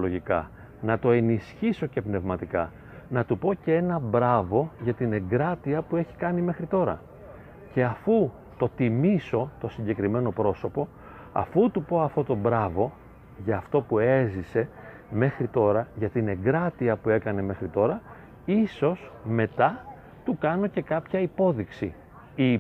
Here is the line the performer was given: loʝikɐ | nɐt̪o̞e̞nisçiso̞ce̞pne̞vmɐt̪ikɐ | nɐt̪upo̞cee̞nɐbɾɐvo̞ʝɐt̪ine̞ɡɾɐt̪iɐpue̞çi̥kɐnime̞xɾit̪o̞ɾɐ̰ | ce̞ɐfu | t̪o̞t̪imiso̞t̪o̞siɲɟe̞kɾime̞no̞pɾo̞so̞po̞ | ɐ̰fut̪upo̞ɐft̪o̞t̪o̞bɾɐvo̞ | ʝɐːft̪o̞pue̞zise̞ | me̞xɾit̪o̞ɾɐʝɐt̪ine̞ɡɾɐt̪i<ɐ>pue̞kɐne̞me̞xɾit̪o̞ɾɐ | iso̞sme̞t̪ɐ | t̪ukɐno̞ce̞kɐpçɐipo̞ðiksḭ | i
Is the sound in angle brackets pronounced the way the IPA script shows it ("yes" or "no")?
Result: yes